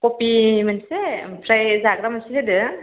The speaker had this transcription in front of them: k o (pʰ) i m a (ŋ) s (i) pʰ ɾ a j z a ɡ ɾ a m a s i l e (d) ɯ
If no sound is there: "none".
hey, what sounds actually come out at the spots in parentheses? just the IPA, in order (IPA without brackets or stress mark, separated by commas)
p, n, e, d